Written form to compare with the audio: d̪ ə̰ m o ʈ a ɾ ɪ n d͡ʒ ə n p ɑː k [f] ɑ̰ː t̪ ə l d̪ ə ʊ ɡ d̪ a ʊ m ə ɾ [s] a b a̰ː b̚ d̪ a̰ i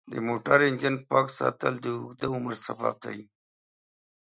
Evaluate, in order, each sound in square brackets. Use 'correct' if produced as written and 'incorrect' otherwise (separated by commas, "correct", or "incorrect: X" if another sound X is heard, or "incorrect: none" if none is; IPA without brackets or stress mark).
incorrect: s, correct